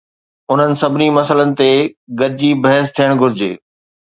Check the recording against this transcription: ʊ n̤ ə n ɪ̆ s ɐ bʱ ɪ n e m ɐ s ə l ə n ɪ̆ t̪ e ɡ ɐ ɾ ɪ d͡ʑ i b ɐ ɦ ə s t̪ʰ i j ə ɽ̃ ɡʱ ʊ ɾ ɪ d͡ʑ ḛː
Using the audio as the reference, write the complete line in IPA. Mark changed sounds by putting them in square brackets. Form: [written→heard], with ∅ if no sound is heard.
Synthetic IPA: ʊ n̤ ə n ɪ̆ s ɐ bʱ ɪ n [e→i] m ɐ s ə l ə n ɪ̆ t̪ e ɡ ɐ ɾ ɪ d͡ʑ i b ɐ ɦ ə s t̪ʰ i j ə ɽ̃ ɡʱ ʊ ɾ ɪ d͡ʑ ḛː